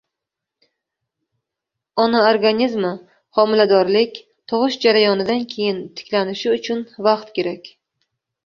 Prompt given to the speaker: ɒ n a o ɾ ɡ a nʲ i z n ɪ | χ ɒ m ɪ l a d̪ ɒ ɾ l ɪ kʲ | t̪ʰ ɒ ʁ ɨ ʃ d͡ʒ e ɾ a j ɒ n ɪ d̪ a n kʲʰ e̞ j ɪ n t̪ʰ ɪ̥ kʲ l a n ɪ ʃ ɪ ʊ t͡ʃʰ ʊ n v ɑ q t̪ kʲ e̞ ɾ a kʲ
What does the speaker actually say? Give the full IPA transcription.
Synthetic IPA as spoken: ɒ n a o ɾ ɡ a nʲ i z m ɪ | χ ɒ m ɪ l a d̪ ɒ ɾ l ɪ kʲ | t̪ʰ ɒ ʁ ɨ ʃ d͡ʒ a ɾ a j ɒ n ɪ d̪ a n kʲʰ e̞ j ɪ n t̪ʰ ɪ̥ kʲ l a n ɪ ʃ ɪ ʊ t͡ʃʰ ʊ n v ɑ q t̪ kʲ e̞ ɾ a kʲ